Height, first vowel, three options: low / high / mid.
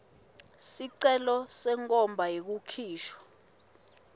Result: high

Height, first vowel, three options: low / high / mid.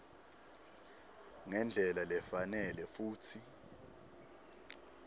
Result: mid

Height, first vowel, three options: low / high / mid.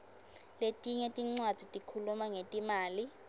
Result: mid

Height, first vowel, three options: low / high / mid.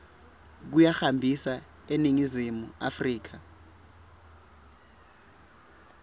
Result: high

